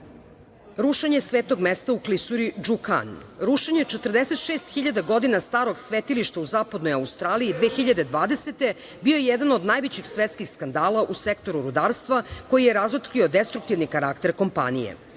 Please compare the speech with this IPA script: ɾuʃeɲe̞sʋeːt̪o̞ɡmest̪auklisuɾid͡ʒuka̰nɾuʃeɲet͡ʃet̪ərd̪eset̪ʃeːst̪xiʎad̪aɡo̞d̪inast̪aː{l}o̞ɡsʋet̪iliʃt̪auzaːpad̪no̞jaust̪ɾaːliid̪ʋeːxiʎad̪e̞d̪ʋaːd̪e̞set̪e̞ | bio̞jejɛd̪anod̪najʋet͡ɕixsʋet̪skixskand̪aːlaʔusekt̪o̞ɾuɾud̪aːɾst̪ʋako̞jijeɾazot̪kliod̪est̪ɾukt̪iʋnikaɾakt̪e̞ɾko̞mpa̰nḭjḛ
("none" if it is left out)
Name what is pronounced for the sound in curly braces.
ɾ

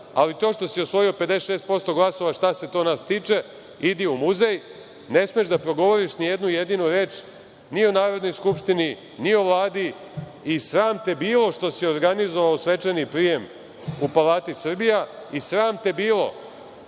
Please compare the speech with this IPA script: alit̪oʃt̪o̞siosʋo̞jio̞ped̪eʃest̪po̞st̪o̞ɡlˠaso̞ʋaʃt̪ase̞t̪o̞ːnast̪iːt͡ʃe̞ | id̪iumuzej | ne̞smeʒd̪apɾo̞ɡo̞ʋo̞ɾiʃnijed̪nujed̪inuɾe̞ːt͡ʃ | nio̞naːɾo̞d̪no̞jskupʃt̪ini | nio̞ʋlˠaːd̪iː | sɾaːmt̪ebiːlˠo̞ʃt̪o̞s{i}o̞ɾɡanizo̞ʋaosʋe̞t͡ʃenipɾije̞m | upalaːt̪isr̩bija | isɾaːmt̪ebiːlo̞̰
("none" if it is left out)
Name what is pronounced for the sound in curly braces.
i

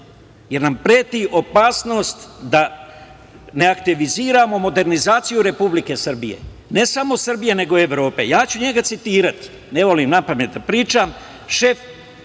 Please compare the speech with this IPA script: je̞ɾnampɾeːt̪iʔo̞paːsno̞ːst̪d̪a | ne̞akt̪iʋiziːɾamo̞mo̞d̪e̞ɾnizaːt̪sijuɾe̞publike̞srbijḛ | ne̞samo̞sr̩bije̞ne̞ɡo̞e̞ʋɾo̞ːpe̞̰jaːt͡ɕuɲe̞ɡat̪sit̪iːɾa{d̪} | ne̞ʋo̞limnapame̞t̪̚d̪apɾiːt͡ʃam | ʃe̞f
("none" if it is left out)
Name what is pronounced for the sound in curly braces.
t̪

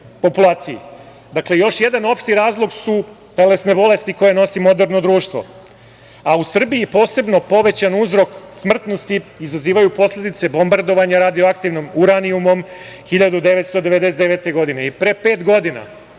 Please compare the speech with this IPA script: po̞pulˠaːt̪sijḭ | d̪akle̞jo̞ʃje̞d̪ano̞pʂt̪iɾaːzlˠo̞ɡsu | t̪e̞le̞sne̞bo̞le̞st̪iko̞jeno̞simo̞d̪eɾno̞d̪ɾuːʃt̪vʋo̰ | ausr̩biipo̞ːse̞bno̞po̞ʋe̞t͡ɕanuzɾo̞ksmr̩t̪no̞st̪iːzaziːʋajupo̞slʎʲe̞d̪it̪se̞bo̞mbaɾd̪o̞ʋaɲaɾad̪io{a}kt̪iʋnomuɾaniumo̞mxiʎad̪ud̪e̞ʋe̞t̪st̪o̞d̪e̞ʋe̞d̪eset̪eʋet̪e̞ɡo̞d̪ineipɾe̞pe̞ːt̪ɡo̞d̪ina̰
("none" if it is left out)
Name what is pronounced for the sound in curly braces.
a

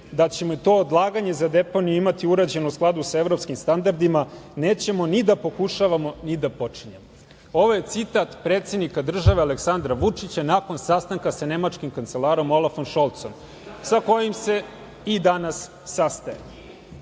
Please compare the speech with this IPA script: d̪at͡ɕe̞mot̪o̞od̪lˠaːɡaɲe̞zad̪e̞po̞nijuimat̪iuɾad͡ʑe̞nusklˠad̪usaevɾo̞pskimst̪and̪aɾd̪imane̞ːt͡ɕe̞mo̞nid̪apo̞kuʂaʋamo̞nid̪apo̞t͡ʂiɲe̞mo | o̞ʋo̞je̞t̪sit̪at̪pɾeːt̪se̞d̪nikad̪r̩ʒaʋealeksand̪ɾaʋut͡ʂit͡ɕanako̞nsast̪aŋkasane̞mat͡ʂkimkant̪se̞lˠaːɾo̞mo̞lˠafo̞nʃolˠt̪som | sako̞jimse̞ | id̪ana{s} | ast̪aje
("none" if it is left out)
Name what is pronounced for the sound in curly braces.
sː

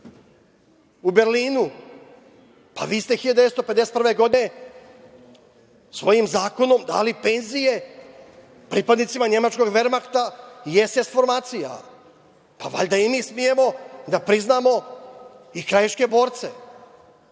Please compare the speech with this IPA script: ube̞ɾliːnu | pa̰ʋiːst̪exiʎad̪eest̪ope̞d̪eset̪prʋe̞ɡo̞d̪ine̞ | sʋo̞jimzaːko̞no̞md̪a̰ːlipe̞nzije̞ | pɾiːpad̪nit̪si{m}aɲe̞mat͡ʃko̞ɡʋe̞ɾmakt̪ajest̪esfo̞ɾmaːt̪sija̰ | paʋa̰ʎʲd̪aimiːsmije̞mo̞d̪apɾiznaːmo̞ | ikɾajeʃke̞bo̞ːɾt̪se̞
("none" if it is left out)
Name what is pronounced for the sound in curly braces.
m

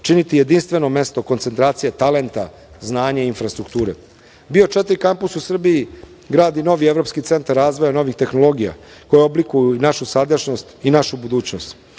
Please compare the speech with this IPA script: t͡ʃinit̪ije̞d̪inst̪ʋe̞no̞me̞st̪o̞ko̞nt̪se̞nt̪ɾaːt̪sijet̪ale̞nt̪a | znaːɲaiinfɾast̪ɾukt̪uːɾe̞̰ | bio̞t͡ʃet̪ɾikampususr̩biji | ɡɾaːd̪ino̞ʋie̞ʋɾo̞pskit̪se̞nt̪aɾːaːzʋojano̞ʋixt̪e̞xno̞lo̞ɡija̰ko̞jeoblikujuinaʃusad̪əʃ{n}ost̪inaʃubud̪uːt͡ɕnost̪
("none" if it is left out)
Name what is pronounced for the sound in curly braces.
n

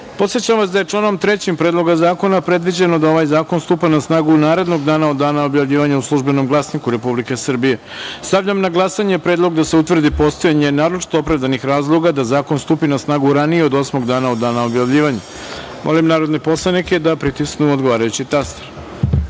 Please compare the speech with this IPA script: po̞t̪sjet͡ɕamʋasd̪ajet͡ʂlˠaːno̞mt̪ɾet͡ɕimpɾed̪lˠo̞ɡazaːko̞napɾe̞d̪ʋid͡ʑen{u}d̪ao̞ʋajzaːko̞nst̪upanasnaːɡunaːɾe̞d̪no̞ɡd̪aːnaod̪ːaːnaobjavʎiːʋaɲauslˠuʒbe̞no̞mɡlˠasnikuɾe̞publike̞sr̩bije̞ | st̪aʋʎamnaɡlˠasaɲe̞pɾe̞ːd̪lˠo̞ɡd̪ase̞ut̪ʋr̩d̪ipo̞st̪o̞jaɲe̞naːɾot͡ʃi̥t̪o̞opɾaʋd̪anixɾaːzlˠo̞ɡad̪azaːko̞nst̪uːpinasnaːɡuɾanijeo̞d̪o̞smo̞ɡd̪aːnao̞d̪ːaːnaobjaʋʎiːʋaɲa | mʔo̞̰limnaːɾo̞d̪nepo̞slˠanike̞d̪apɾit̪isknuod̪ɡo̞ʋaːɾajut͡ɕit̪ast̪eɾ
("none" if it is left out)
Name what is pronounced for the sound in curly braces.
o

